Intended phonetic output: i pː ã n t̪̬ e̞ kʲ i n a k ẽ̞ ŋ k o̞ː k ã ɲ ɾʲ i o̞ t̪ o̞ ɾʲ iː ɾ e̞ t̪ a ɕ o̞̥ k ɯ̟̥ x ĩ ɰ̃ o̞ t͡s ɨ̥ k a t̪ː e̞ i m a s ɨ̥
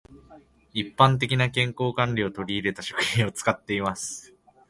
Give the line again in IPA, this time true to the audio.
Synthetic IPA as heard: i pː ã n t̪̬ e̞ kʲ i n a k ẽ̞ ŋ k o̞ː k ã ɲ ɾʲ i o̞ t̪ o̞ ɾʲ iː ɾ e̞ t̪ a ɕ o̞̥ k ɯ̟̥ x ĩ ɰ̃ o̞ t͡s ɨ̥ k a t̪ː e̞ i m a s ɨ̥